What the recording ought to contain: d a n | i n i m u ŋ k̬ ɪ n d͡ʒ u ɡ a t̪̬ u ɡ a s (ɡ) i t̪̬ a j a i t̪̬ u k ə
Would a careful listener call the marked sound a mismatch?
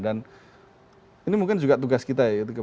yes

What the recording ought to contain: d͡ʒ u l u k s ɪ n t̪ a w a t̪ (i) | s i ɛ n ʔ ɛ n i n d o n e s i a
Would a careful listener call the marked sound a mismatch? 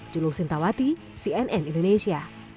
no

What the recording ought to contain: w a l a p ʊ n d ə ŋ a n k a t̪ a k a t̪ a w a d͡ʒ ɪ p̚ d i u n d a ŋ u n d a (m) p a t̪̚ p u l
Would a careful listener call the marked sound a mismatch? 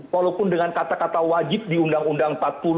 yes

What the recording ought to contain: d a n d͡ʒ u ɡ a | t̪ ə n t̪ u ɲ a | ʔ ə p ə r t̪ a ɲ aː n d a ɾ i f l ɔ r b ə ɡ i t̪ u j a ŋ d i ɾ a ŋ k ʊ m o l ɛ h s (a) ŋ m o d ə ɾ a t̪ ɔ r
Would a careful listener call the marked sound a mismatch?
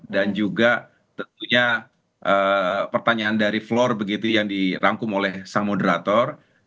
no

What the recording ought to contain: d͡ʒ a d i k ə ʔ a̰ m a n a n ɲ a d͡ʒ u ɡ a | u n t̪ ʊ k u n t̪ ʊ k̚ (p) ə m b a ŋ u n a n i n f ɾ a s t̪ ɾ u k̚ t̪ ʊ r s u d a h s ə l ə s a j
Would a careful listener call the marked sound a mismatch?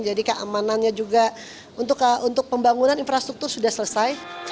no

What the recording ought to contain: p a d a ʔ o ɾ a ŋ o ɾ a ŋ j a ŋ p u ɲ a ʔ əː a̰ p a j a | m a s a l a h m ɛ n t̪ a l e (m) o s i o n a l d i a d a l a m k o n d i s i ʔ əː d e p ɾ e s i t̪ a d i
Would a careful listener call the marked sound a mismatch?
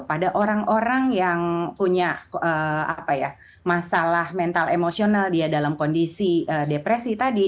no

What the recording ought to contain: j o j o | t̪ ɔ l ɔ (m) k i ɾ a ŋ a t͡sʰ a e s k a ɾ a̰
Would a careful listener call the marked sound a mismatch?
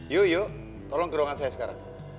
yes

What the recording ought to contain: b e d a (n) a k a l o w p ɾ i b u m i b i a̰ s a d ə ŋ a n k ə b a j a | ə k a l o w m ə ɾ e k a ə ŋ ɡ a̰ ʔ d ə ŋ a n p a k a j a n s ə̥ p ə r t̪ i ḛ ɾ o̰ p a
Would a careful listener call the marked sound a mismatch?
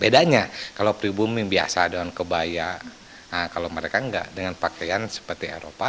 yes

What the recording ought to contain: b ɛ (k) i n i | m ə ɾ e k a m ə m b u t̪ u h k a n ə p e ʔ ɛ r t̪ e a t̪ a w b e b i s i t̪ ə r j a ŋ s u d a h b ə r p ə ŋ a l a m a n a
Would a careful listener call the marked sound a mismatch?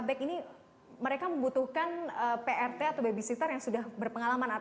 no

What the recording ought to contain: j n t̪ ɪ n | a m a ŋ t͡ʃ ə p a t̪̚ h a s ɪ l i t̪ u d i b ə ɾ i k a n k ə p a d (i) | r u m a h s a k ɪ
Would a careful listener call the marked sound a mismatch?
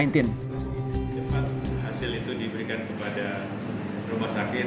yes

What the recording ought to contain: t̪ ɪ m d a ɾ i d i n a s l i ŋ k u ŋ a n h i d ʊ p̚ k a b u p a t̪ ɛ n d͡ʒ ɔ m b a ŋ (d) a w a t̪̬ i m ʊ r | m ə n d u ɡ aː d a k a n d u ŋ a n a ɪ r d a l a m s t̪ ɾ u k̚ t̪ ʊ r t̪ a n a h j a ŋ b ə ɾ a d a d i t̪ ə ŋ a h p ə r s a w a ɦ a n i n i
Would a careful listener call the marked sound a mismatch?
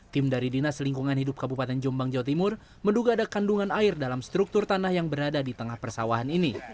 yes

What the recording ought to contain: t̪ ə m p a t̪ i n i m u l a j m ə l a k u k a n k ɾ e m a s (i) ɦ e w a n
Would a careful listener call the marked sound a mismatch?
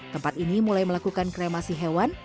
no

